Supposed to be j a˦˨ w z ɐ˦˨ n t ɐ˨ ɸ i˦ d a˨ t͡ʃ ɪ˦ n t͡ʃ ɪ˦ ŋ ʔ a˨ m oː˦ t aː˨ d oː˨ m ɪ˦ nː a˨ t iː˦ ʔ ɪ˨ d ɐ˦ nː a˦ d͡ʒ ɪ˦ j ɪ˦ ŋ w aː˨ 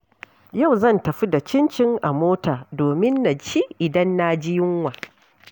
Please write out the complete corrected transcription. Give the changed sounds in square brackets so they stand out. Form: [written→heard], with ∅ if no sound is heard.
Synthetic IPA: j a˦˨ w z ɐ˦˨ n t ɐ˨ ɸ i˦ d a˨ t͡ʃ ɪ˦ n t͡ʃ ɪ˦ ŋ ʔ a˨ m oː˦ t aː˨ d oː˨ m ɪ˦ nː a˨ [t→t͡ʃ] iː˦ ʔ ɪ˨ d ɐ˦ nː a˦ d͡ʒ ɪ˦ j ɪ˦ ŋ w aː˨

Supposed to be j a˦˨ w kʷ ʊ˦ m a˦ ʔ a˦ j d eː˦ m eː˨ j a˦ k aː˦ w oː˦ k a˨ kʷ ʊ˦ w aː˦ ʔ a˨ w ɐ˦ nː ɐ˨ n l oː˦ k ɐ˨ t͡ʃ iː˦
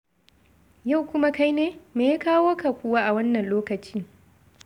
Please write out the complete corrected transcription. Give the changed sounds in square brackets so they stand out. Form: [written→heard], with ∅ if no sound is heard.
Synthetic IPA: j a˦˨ w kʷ ʊ˦ m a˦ [ʔ→k] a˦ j [d→n] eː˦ m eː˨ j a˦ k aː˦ w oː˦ k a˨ kʷ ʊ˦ w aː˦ ʔ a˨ w ɐ˦ nː ɐ˨ n l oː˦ k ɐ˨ t͡ʃ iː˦

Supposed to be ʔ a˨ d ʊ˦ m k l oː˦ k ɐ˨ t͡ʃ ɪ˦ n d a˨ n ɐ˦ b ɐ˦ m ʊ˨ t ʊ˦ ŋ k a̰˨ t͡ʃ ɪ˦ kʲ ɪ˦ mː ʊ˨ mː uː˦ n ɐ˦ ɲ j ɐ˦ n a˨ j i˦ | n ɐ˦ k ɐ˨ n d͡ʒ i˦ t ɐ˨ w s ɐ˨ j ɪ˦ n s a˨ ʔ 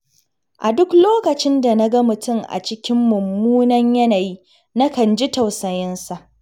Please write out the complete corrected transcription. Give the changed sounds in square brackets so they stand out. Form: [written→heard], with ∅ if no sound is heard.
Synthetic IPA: ʔ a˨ d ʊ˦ [m→∅] k l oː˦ k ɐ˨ t͡ʃ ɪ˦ n d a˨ n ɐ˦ [b→ɡ] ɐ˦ m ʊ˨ t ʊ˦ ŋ [k→ʔ] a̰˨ t͡ʃ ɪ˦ kʲ ɪ˦ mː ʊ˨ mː uː˦ n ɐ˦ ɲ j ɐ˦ n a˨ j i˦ | n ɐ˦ k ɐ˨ n d͡ʒ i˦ t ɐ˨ w s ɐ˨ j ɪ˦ n s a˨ ʔ

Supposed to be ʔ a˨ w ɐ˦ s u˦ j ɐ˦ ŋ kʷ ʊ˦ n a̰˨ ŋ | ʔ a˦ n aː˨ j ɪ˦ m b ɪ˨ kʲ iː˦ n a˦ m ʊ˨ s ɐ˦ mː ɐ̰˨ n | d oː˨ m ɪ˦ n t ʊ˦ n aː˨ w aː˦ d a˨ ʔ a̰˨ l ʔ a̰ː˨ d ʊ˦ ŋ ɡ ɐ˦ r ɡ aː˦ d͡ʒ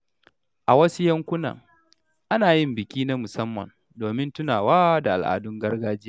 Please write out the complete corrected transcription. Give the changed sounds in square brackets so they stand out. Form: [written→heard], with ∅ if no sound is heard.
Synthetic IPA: ʔ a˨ w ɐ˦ s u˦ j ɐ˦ ŋ kʷ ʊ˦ n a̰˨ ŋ | ʔ a˦ n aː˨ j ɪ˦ m b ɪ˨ kʲ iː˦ n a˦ m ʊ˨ s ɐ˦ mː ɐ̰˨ n | d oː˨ m ɪ˦ n t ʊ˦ n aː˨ w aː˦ d a˨ ʔ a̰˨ l ʔ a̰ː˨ d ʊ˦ ŋ ɡ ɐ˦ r ɡ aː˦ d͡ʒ

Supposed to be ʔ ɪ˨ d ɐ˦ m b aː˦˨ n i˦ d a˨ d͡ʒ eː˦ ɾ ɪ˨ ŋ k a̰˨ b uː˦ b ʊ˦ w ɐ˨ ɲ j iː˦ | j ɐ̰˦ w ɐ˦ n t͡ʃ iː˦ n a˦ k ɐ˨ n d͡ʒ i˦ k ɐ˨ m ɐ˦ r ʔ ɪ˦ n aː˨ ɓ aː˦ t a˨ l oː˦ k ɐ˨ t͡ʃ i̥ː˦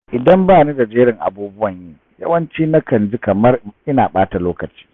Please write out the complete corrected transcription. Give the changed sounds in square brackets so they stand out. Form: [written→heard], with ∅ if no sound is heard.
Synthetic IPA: ʔ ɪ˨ d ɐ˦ m b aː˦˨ n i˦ d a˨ d͡ʒ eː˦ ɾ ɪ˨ ŋ [k→ʔ] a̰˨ b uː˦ b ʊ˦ w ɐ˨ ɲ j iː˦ | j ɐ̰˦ w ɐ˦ n t͡ʃ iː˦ n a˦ k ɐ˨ n d͡ʒ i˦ k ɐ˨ m ɐ˦ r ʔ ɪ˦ n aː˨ ɓ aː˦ t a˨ l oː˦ k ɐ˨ t͡ʃ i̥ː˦

